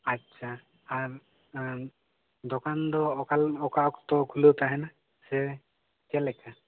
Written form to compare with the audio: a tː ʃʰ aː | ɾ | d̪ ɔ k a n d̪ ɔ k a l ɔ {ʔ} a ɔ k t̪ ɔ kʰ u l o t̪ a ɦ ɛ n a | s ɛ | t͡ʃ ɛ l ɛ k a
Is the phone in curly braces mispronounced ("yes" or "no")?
yes